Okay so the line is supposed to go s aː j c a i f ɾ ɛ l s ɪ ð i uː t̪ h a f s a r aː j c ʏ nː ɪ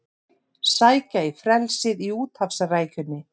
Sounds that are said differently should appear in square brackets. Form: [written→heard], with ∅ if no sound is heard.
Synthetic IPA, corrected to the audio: s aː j c a i f ɾ ɛ l s ɪ ð i uː t̪ h a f s a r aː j c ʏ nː ɪ